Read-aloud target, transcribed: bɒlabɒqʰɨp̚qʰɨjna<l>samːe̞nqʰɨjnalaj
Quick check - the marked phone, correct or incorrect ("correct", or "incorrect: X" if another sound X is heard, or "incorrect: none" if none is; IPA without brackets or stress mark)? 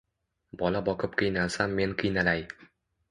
correct